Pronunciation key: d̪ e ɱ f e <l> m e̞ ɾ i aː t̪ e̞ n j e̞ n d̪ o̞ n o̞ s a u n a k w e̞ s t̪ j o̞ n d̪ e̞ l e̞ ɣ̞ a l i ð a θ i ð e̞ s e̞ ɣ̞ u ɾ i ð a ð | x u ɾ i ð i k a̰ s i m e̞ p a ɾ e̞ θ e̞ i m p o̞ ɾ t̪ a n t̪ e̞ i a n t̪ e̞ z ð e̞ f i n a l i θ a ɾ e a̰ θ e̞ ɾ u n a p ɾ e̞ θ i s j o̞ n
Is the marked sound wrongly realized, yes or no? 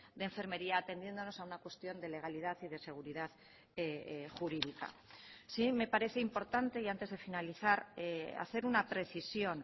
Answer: yes